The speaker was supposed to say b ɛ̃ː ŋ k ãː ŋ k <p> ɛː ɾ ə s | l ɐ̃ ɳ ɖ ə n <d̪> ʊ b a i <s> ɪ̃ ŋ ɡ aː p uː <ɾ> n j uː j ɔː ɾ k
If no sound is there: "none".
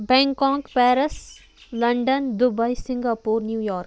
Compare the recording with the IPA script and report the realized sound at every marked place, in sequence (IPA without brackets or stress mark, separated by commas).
p, d̪, s, ɾ